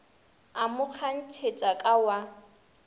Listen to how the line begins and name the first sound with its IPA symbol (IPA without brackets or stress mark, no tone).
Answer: a